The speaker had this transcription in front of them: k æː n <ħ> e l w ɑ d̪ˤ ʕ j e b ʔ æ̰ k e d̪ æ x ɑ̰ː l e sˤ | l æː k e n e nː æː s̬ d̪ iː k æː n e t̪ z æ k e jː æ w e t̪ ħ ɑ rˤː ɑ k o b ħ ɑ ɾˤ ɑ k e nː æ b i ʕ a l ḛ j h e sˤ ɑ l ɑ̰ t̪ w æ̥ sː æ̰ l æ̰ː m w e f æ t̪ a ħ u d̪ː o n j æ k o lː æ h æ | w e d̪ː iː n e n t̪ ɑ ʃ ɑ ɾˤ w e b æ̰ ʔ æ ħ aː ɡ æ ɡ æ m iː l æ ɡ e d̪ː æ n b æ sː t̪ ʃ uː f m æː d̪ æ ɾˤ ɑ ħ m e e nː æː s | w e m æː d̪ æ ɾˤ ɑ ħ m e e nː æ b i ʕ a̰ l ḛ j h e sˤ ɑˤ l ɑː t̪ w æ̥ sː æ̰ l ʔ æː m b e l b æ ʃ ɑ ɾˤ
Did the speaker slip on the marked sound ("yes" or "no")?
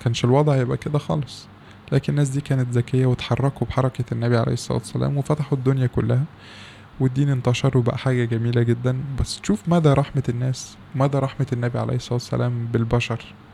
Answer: yes